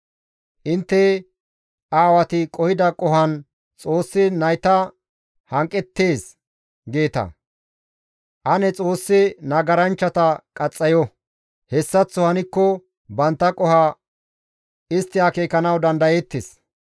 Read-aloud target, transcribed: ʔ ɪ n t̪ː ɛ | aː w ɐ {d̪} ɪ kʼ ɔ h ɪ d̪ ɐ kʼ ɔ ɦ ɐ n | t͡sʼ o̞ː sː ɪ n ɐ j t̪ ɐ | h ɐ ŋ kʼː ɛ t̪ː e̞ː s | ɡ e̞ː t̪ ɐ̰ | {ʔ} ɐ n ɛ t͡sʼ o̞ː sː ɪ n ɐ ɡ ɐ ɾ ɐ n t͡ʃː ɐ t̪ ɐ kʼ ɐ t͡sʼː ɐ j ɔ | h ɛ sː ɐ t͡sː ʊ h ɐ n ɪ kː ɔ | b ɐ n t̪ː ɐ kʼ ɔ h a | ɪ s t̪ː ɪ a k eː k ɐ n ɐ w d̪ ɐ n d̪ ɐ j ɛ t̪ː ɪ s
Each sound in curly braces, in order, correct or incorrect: incorrect: t̪, correct

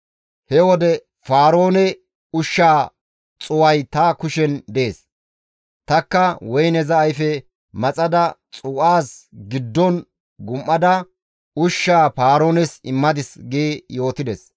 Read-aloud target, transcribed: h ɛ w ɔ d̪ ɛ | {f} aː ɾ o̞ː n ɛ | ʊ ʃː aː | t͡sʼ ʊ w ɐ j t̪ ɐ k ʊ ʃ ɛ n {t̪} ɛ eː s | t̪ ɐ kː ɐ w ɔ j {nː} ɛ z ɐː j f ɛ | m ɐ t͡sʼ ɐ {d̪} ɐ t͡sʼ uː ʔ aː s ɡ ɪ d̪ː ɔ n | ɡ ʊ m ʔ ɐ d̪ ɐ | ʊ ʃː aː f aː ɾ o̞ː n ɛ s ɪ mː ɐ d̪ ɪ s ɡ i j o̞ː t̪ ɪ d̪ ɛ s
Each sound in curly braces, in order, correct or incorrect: correct, incorrect: d̪, incorrect: n, correct

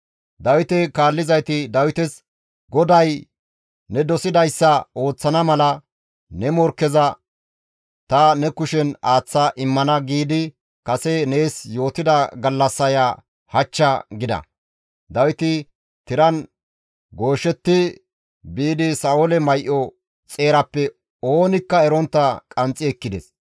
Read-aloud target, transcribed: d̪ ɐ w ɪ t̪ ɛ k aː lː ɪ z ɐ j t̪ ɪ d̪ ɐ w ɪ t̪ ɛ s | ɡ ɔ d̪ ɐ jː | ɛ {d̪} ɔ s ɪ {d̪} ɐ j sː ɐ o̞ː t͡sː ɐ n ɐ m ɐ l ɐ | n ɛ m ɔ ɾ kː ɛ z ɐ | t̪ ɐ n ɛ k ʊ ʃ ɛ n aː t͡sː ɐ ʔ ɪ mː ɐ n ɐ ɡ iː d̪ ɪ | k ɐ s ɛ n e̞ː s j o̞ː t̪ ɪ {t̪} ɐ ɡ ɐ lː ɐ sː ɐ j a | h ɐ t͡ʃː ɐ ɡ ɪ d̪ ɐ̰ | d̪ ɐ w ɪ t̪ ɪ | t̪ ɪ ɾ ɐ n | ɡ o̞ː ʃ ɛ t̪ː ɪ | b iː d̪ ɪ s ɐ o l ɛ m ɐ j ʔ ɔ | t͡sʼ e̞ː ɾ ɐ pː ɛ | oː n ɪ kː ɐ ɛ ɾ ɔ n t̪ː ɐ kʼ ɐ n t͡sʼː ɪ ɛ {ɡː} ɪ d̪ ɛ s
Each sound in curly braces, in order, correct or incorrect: correct, correct, incorrect: d̪, incorrect: kː

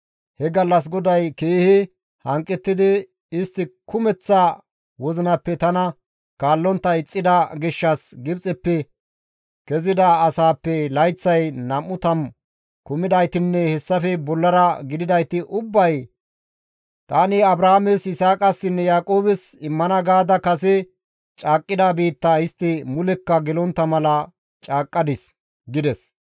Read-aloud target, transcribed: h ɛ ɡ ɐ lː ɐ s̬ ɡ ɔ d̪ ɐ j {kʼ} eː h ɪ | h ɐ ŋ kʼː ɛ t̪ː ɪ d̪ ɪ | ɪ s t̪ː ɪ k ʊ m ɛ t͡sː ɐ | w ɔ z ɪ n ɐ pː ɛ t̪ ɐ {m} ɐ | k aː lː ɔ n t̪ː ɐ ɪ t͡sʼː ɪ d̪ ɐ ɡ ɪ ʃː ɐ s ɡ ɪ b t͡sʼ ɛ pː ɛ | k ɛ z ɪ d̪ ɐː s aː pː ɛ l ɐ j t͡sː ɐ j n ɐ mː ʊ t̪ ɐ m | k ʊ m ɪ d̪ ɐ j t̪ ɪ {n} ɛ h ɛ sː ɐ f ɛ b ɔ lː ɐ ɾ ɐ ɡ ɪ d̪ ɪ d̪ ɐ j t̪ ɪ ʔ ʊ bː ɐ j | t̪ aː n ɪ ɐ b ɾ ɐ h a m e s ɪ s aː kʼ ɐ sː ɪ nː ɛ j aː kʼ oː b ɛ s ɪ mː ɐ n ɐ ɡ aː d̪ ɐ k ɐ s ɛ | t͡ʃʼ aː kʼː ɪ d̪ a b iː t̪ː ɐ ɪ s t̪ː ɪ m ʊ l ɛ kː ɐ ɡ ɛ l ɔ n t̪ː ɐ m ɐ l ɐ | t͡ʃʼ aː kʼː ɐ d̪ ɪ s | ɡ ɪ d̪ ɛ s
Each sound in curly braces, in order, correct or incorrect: incorrect: k, incorrect: n, incorrect: nː

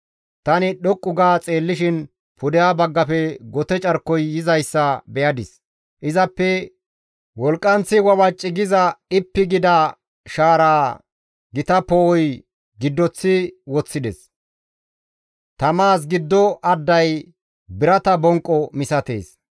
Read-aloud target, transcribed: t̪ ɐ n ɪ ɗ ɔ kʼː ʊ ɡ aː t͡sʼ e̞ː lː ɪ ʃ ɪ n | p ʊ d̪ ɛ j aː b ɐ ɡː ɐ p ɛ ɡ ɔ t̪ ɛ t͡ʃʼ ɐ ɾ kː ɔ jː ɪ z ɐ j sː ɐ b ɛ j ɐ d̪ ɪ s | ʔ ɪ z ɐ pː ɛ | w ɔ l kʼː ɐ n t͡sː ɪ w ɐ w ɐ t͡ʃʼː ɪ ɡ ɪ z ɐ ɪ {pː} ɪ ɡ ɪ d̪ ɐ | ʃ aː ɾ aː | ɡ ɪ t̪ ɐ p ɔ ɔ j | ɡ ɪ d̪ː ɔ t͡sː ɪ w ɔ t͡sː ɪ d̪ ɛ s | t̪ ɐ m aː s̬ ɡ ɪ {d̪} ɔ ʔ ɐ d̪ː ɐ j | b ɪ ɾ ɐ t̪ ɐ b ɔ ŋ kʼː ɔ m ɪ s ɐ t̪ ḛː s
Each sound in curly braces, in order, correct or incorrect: correct, incorrect: d̪ː

